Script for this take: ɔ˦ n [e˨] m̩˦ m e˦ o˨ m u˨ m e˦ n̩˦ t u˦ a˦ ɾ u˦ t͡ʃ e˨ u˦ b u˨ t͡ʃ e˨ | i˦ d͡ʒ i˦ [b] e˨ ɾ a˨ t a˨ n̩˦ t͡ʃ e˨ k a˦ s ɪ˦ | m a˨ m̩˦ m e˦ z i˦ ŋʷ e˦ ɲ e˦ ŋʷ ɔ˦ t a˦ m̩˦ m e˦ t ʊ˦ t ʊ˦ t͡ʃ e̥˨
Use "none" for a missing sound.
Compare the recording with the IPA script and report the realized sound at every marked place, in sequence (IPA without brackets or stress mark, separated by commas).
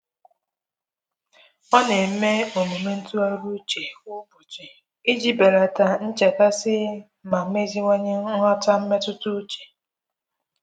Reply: e˨, b